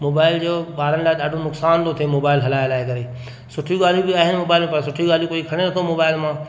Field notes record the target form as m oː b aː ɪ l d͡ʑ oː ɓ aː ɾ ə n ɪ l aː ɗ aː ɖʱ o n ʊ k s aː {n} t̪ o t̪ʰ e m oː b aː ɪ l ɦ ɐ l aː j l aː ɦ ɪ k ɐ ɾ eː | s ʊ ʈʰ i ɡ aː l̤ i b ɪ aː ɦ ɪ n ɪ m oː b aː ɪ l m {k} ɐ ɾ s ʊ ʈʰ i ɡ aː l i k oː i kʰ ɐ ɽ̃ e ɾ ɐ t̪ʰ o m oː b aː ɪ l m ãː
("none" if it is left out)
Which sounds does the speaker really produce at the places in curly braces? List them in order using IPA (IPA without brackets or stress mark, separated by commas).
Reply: n, p